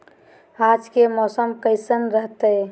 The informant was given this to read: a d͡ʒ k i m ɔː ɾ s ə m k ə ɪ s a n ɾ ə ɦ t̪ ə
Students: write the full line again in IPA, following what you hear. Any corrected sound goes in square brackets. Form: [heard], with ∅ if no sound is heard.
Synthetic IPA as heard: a d͡ʒ k [e] m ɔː [∅] s ə m k ə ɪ s [ə] n ɾ ə ɦ t̪ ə